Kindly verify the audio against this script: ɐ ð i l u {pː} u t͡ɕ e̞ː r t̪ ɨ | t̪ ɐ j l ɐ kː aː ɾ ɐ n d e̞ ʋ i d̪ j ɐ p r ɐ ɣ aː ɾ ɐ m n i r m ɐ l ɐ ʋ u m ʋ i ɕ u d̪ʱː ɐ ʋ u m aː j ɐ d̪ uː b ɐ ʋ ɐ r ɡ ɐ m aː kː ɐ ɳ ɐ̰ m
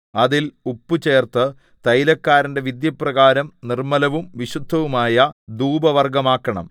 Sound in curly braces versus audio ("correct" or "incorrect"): correct